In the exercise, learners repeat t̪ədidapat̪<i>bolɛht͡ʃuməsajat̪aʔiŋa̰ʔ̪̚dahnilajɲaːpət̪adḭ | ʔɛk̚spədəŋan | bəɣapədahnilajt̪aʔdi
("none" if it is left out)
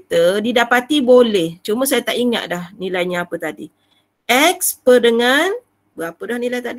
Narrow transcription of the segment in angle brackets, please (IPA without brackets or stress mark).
i